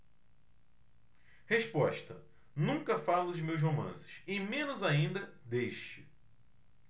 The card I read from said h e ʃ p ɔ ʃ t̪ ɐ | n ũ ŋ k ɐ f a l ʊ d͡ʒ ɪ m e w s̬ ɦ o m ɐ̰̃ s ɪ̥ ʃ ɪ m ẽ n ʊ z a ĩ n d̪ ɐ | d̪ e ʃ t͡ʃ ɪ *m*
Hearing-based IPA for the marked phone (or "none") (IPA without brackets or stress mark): none